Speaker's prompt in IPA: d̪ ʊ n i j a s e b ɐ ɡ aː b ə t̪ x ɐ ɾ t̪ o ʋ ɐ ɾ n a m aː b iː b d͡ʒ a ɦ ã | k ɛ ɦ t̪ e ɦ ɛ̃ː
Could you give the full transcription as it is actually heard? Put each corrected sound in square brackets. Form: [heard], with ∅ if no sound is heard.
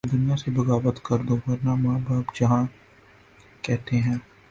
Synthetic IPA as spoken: d̪ ʊ n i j a s e b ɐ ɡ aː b ə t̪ [k] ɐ ɾ [d̪] o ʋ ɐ ɾ n a m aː b [aː] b d͡ʒ [ɐ] ɦ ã | k ɛ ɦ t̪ e ɦ ɛ̃ː